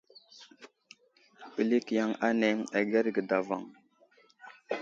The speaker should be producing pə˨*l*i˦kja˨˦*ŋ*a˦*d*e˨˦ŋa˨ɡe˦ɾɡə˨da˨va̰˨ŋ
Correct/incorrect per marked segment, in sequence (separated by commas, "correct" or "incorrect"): correct, correct, incorrect